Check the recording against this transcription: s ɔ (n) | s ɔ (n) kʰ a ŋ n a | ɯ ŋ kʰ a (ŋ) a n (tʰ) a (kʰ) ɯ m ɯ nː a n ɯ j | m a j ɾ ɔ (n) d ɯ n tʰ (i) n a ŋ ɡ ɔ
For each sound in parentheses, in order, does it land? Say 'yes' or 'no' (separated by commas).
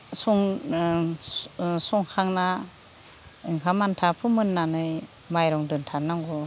no, no, no, yes, no, no, no